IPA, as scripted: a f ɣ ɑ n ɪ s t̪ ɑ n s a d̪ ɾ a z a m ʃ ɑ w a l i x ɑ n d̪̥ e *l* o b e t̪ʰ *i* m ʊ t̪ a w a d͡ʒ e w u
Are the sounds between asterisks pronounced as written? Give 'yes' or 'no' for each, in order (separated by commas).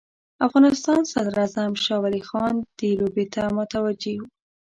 yes, no